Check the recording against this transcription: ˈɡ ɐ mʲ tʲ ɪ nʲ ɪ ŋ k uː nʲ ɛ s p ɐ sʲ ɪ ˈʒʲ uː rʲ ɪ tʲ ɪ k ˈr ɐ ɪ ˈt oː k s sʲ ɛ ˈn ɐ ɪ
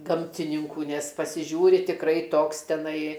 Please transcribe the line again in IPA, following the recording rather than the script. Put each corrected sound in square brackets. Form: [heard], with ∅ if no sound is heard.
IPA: ˈɡ ɐ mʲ tʲ ɪ nʲ ɪ ŋ k uː nʲ ɛ s p ɐ sʲ ɪ ˈʒʲ uː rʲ ɪ tʲ ɪ k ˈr ɐ ɪ ˈt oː k s [tʲ] ɛ ˈn ɐ ɪ